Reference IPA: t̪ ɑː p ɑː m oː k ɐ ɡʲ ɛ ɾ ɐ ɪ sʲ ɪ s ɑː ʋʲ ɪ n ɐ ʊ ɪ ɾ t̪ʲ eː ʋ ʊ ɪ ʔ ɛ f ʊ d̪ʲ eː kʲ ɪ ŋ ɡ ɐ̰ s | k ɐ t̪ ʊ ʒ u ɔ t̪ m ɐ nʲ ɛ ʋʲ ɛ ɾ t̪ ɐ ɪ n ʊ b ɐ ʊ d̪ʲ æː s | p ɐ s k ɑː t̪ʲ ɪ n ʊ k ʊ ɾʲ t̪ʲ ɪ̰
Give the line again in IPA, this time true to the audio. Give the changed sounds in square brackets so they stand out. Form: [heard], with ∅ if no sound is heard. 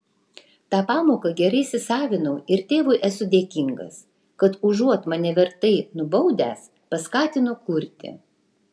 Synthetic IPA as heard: t̪ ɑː p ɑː m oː k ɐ ɡʲ ɛ ɾ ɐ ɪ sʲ ɪ s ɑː ʋʲ ɪ n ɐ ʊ ɪ ɾ t̪ʲ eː ʋ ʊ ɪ ʔ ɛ [s] ʊ d̪ʲ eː kʲ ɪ ŋ ɡ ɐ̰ s | k ɐ t̪ ʊ ʒ u ɔ t̪ m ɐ nʲ ɛ ʋʲ ɛ ɾ t̪ ɐ ɪ n ʊ b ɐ ʊ d̪ʲ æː s | p ɐ s k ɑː t̪ʲ ɪ n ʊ k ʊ ɾʲ t̪ʲ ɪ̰